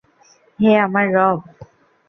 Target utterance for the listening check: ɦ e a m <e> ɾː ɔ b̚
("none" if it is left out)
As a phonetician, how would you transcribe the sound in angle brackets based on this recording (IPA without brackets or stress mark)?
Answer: a